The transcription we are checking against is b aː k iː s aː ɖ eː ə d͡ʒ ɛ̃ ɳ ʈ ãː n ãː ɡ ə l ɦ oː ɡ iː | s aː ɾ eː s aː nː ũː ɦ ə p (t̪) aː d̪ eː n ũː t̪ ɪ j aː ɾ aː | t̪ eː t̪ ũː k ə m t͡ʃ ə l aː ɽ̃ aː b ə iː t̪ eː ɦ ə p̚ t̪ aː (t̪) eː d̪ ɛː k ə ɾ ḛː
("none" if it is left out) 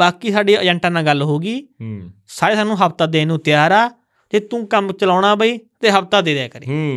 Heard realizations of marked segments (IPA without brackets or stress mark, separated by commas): t̪, d̪